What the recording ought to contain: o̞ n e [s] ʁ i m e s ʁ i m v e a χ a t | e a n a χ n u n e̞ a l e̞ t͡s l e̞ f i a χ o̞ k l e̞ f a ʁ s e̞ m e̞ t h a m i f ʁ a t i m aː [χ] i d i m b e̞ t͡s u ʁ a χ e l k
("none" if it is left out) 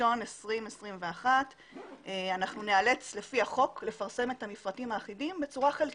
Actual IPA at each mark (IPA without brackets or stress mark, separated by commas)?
s, χ